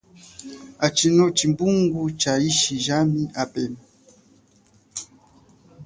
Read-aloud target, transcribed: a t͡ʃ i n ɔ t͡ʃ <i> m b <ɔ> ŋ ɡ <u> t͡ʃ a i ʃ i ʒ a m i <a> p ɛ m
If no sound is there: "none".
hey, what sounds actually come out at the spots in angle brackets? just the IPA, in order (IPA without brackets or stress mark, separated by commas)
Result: i, u, u, a